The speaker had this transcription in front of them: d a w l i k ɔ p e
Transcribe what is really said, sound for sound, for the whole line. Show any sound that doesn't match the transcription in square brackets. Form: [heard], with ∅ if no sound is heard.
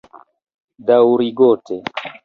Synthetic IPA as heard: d a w [ɾ] i [ɡ] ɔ [t] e